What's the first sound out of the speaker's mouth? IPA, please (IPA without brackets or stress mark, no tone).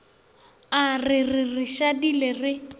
a